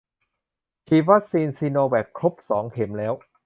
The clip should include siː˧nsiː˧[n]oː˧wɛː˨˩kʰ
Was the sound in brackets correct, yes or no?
yes